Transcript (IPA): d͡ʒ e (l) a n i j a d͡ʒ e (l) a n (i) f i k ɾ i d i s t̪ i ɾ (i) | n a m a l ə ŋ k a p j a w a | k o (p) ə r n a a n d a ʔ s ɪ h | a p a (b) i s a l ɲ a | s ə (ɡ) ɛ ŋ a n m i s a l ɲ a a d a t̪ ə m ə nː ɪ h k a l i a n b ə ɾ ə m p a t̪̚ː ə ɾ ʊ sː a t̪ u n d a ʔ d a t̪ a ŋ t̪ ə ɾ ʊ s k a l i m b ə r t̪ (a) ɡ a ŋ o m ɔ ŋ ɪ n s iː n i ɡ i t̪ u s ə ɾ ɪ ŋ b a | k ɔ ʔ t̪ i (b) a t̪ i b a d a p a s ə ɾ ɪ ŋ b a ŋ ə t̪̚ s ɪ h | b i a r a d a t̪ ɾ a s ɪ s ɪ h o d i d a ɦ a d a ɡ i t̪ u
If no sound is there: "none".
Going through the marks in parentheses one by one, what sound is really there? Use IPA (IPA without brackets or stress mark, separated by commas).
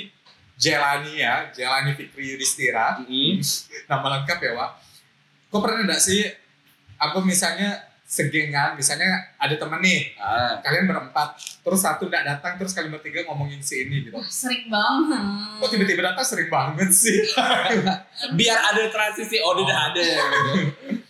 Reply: l, l, i, a, p, m, ɡ, i, b